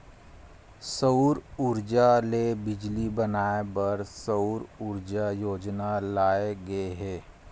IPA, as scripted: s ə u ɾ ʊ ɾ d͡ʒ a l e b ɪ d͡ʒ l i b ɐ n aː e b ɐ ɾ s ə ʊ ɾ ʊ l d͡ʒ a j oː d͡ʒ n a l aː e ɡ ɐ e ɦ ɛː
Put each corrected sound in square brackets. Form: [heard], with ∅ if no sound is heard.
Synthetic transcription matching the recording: s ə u ɾ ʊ ɾ d͡ʒ a l e b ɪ d͡ʒ l i b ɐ n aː e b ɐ ɾ s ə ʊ ɾ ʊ [ɾ] d͡ʒ a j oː d͡ʒ n a l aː e ɡ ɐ e ɦ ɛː